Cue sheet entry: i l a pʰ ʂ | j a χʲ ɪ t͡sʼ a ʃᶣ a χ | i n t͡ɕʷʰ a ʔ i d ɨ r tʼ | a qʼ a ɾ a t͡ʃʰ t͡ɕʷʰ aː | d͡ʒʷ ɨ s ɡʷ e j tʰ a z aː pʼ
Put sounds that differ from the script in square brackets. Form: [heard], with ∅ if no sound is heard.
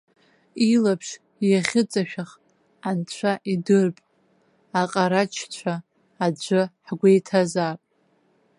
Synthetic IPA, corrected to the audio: i l a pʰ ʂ | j a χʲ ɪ t͡sʼ a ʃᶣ a χ | [a] n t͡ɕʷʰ a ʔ i d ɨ r [pʼ] | a qʼ a ɾ a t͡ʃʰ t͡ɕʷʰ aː | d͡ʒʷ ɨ [ħ] ɡʷ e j tʰ a z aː pʼ